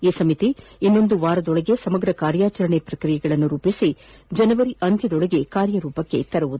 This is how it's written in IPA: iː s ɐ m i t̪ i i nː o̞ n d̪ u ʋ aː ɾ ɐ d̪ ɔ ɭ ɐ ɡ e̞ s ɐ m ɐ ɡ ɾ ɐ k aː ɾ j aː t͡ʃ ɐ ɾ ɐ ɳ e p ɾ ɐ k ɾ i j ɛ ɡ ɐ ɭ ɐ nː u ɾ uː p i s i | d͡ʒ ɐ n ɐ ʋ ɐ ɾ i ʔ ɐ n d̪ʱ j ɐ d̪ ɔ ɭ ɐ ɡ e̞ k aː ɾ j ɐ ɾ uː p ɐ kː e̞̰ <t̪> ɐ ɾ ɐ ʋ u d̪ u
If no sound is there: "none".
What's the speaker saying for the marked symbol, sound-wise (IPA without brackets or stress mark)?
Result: t̪